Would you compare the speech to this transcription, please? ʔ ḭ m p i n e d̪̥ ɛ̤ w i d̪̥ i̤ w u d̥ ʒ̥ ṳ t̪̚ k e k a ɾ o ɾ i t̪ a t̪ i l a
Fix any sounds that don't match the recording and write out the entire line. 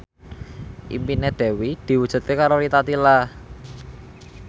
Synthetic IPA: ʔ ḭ m p i n e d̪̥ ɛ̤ w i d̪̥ i̤ w u d̥ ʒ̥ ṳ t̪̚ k e k a ɾ o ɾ i t̪ a t̪ i l a